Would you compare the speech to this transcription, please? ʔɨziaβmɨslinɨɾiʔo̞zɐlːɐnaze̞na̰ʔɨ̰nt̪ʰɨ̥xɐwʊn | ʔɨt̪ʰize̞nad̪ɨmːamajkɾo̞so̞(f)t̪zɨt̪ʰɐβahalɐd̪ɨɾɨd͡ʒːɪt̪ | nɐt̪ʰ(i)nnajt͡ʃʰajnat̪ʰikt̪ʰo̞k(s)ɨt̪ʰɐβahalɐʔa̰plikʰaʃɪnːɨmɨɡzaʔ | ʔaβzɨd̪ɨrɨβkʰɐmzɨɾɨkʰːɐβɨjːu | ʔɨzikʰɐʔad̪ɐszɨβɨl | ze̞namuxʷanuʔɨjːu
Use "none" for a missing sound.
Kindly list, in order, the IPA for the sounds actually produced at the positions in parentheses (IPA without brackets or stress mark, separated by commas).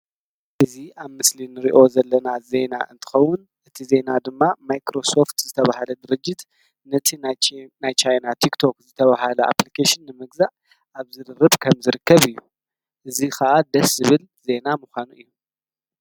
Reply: f, i, z